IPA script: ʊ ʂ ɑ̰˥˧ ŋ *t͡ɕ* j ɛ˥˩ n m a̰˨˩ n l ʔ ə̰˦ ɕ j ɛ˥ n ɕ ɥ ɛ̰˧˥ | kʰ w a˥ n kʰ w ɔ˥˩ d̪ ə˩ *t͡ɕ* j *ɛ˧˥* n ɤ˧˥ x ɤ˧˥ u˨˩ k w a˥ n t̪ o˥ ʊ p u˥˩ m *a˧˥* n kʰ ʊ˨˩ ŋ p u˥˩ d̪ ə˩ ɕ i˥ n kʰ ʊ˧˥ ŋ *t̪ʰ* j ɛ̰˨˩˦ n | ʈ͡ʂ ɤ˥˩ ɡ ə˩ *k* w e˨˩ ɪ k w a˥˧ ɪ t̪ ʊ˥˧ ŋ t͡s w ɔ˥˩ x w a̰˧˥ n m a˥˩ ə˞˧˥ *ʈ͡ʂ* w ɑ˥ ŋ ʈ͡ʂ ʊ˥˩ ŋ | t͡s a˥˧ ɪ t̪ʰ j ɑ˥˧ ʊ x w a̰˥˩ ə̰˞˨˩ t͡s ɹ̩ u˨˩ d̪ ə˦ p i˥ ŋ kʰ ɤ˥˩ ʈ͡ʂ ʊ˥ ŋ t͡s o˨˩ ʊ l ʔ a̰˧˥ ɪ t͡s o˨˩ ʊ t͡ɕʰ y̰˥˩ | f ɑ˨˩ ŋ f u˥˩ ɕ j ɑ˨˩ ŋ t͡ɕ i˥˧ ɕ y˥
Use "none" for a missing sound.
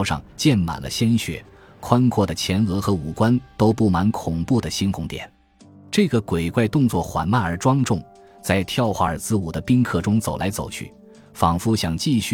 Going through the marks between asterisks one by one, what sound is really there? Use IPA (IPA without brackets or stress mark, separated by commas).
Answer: t͡ɕ, t͡ɕʰ, ɛ˧˥, a˧˥, t̪, k, ʈ͡ʂ